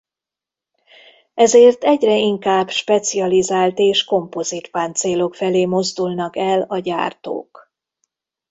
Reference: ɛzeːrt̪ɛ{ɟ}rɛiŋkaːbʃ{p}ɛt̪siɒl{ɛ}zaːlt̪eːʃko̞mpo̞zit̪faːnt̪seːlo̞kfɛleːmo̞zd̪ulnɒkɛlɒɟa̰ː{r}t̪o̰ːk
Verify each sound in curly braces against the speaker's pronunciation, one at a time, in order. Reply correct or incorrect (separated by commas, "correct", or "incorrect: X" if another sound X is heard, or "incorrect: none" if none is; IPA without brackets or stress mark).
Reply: correct, correct, incorrect: i, correct